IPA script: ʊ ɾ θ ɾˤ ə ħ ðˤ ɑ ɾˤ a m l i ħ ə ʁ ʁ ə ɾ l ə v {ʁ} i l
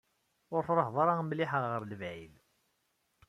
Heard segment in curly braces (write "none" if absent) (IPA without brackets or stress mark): ʕ